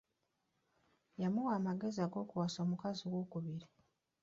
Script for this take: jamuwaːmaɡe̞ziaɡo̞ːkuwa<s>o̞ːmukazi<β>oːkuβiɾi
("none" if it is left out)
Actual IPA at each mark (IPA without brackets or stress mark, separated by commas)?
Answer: s, w